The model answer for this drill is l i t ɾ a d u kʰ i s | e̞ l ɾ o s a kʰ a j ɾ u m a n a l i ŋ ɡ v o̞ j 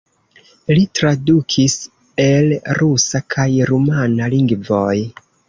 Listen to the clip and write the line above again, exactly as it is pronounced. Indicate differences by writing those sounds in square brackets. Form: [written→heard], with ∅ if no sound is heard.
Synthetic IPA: l i t ɾ a d u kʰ i s | e̞ l ɾ [o→u] s a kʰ a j ɾ u m a n a l i ŋ ɡ v o̞ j

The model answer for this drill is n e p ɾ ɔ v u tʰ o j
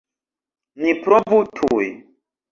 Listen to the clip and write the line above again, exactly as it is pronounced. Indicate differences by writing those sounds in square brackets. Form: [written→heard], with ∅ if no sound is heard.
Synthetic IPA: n [e→i] p ɾ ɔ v u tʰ [o→u] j

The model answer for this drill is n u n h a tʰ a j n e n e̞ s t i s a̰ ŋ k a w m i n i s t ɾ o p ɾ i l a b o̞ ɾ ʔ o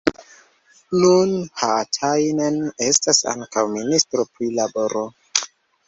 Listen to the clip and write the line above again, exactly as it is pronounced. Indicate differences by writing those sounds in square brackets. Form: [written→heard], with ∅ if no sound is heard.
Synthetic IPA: n u n h a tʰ a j n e n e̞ s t [i→a] s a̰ ŋ k a w m i n i s t ɾ o p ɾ i l a b o̞ ɾ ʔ o

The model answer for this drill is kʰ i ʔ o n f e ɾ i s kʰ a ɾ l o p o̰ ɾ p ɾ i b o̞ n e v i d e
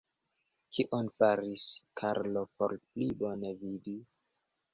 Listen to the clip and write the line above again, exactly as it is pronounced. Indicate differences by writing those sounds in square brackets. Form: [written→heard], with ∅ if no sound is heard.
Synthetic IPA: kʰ i ʔ o n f [e→a] ɾ i s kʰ a ɾ l o p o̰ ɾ p [ɾ→l] i b o̞ n e v i d [e→i]

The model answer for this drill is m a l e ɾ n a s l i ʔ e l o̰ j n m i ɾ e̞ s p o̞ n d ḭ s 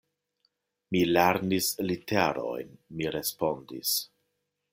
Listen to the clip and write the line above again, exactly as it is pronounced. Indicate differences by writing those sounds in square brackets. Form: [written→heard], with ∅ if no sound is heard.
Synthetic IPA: m [a→i] l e ɾ n [a→i] s l i [ʔ→t] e [l→ɾ] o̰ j n m i ɾ e̞ s p o̞ n d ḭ s

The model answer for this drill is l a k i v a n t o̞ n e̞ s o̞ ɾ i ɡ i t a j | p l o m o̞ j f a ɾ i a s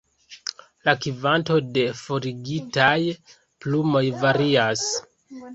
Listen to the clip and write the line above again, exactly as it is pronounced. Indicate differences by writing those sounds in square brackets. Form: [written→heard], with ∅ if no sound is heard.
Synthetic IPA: l a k i v a n t o̞ [n→d] e̞ [s→f] o̞ ɾ i ɡ i t a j | p l [o→u] m o̞ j [f→v] a ɾ i a s

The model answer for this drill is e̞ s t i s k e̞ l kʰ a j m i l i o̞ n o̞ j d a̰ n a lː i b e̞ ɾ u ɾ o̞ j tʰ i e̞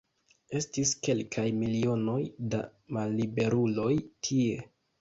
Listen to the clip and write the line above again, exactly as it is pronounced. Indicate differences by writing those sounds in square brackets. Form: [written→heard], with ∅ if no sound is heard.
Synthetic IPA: e̞ s t i s k e̞ l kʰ a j m i l i o̞ n o̞ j d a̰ [n→m] a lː i b e̞ ɾ u [ɾ→l] o̞ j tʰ i e̞

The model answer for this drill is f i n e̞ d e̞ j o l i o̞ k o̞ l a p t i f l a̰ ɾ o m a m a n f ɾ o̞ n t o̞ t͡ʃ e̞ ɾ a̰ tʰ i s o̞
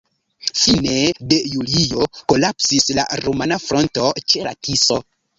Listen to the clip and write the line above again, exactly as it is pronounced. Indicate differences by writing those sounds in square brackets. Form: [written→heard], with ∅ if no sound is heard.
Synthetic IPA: f i n e̞ d e̞ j [o→u] l i o̞ k o̞ l a p [t→s] i [f→s] l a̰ ɾ o m a [m→n] a [n→∅] f ɾ o̞ n t o̞ t͡ʃ e̞ [ɾ→l] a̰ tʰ i s o̞

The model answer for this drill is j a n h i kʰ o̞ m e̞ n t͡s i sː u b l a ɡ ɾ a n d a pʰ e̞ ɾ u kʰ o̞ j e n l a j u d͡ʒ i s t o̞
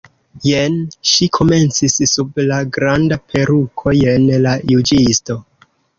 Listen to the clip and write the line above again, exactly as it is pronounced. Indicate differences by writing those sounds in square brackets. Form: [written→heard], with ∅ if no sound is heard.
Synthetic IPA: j [a→e] n [h→ʃ] i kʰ o̞ m e̞ n t͡s i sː u b l a ɡ ɾ a n d a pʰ e̞ ɾ u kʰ o̞ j e n l a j u d͡ʒ i s t o̞

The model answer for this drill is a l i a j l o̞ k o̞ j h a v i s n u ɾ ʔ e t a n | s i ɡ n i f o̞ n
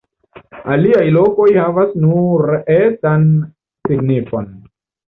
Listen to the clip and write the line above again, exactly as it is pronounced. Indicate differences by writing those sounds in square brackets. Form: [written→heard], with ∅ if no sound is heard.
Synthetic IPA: a l i a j l o̞ k o̞ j h a v [i→a] s n u ɾ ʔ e t a n | s i ɡ n i f o̞ n

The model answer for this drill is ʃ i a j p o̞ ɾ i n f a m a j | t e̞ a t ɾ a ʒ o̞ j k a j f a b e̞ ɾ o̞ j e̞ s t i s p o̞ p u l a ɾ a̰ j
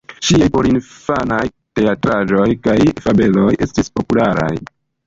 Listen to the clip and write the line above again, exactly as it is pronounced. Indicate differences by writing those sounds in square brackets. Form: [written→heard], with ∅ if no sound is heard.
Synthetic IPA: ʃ i a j p o̞ ɾ i n f a [m→n] a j | t e̞ a t ɾ a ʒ o̞ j k a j f a b e̞ [ɾ→l] o̞ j e̞ s t i s p o̞ p u l a ɾ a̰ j

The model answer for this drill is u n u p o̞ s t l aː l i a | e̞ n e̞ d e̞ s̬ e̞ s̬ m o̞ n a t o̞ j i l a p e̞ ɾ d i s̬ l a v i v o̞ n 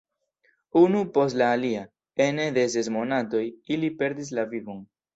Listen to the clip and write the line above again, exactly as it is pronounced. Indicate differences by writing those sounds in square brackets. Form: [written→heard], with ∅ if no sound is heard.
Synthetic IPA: u n u p o̞ s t l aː l i a | e̞ n e̞ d e̞ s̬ e̞ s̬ m o̞ n a t o̞ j i l [a→i] p e̞ ɾ d i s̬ l a v i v o̞ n

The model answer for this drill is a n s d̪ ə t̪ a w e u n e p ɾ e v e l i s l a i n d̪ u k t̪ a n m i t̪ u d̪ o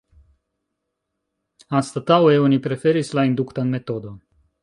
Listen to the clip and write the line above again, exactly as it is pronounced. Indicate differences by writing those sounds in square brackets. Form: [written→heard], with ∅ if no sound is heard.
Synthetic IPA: a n s [d̪→t̪] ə t̪ a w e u n [e→i] p ɾ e [v→f] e [l→ɾ] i s l a i n d̪ u k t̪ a n m [i→e] t̪ [u→o] d̪ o

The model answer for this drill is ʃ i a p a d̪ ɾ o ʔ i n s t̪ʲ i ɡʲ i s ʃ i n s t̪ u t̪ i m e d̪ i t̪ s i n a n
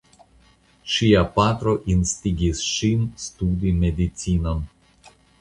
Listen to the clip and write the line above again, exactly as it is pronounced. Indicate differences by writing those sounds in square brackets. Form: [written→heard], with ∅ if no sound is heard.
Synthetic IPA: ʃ i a p a [d̪→t̪] ɾ o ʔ i n s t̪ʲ i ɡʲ i s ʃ i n s t̪ u [t̪→d̪] i m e d̪ i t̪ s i n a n

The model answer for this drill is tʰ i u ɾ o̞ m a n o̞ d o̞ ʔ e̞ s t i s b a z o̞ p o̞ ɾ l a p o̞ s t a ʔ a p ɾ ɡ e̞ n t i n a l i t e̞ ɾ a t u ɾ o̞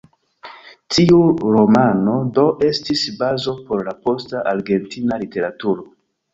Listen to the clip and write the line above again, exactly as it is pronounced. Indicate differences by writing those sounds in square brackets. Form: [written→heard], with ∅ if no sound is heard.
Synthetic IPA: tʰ i u ɾ o̞ m a n o̞ d o̞ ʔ e̞ s t i s b a z o̞ p o̞ ɾ l a p o̞ s t a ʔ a [p→∅] ɾ ɡ e̞ n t i n a l i t e̞ ɾ a t u ɾ o̞

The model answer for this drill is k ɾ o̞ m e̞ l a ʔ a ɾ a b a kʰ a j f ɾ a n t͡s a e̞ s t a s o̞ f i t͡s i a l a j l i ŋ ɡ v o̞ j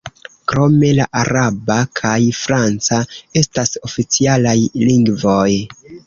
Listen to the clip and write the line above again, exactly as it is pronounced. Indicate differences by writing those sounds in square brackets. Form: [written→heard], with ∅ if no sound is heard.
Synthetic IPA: k ɾ o̞ m e̞ l a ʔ a ɾ a b a kʰ a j f ɾ a n t͡s a e̞ s t a s o̞ f i t͡s i a l a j l i ŋ ɡ v o̞ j

